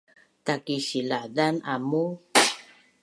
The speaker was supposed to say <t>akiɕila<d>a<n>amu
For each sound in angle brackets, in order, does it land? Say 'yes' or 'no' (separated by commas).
yes, yes, yes